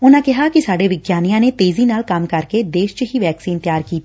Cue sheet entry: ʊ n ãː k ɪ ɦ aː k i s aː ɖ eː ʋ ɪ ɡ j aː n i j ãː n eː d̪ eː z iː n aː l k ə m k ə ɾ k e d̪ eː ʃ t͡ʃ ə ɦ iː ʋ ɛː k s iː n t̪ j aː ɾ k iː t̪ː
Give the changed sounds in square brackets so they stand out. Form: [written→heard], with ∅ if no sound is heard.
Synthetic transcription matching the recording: ʊ n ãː k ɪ ɦ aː k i s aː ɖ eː ʋ ɪ ɡ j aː n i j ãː n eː [d̪→t̪] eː z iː n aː l k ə m k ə ɾ k e d̪ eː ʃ t͡ʃ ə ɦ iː ʋ ɛː k s iː n t̪ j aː ɾ k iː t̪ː

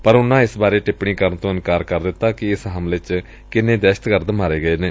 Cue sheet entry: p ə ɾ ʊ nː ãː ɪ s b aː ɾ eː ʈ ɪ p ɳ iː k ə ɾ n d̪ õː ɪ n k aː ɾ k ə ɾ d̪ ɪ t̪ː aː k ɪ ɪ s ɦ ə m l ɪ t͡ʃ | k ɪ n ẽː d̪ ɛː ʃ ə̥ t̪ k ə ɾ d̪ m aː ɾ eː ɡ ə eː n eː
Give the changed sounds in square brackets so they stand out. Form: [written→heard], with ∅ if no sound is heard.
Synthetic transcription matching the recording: p ə ɾ ʊ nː ãː ɪ s b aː ɾ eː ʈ ɪ p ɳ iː k ə ɾ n [d̪→t̪] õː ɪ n k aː ɾ k ə ɾ d̪ ɪ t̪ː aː k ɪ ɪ s ɦ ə m l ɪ t͡ʃ | k ɪ n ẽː d̪ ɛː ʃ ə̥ t̪ k ə ɾ d̪ m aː ɾ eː ɡ ə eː n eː

